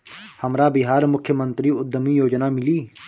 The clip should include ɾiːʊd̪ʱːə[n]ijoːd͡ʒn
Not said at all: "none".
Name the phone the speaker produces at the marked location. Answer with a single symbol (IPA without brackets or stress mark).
m